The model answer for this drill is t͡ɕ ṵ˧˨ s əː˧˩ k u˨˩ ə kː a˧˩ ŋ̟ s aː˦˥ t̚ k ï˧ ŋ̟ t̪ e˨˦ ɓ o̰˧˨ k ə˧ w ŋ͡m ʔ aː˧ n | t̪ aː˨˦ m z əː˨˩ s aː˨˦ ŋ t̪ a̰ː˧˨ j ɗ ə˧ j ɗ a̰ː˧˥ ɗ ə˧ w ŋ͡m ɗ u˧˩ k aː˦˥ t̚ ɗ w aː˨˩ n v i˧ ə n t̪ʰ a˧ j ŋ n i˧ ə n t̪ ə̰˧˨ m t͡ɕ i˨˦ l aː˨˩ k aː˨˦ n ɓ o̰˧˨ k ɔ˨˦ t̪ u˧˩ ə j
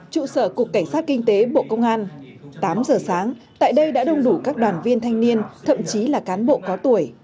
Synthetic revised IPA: t͡ɕ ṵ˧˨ s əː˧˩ k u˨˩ ə kː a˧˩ ŋ̟ s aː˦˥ t̚ k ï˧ ŋ̟ t̪ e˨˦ ɓ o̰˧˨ k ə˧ w ŋ͡m ʔ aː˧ n | t̪ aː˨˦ m z əː˨˩ s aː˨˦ ŋ t̪ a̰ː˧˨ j ɗ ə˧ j ɗ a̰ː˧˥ ɗ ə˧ w ŋ͡m ɗ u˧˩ k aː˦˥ k̚ ɗ w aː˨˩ n v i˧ ə n t̪ʰ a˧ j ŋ n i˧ ə n t̪ʰ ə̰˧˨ m t͡ɕ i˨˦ l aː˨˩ k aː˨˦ n ɓ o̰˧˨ k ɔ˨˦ t̪ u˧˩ ə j